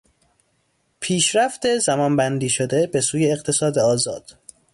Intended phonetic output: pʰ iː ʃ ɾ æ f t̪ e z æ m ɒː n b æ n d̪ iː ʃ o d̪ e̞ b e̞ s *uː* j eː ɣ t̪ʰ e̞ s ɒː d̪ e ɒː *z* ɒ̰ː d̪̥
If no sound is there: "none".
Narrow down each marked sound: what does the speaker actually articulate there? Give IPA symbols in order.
uː, z

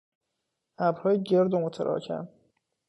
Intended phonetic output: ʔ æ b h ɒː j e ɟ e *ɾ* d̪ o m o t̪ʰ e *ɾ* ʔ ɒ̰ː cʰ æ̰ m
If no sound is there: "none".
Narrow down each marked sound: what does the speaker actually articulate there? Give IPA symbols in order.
ɾ, ɾ

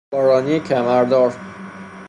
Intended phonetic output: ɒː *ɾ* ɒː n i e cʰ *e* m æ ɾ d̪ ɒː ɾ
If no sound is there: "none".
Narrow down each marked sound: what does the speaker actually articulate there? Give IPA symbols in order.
ɾ, æ

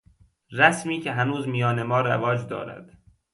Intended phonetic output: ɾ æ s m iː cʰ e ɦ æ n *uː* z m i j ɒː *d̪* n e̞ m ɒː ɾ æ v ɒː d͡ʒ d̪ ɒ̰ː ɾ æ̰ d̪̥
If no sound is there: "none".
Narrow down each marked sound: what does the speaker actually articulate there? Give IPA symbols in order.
uː, none

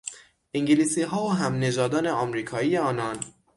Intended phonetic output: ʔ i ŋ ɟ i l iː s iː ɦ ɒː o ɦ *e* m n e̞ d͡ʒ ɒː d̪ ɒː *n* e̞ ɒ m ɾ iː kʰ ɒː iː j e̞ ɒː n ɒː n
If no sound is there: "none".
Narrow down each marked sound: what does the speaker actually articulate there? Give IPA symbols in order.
æ, n

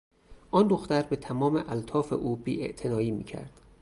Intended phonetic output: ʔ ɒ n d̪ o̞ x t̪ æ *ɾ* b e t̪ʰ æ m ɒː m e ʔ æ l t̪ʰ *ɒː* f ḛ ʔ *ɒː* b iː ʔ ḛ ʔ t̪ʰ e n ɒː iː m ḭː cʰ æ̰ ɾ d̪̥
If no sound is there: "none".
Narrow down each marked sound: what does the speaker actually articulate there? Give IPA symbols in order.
ɾ, ɒː, uː

